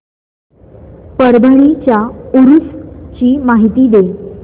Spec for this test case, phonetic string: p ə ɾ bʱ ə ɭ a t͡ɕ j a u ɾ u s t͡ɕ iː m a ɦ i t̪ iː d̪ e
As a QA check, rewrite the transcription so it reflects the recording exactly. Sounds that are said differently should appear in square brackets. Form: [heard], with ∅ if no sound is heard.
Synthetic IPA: p ə ɾ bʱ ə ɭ [i] t͡ɕ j a u ɾ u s t͡ɕ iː m a ɦ i t̪ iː d̪ e